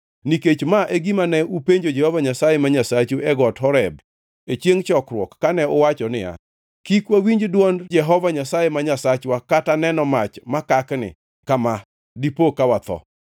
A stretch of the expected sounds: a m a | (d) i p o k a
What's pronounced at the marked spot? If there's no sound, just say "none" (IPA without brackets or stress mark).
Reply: d